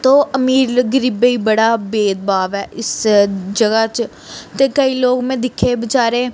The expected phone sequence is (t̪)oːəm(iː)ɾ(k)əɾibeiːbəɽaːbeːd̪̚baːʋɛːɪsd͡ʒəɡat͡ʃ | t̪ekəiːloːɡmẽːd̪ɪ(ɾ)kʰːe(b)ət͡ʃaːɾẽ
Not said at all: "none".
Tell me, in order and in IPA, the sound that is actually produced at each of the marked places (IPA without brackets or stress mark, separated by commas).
t̪, iː, ɡ, none, b